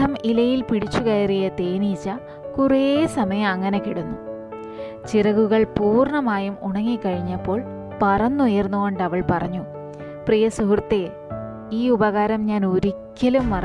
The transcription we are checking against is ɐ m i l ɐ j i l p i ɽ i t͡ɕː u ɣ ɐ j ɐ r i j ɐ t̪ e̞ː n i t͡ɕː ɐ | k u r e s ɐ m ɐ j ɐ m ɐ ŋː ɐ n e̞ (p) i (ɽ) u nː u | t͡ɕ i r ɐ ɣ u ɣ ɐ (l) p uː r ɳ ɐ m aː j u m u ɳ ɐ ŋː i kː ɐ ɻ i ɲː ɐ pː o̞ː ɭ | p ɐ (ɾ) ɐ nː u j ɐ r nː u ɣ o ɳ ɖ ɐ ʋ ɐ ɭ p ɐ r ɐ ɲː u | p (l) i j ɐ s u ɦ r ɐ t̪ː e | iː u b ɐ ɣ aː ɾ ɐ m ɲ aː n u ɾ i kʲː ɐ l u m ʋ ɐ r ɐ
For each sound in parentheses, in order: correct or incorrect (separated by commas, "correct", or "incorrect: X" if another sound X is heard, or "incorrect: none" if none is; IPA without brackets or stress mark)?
incorrect: k, correct, incorrect: ɭ, incorrect: r, incorrect: r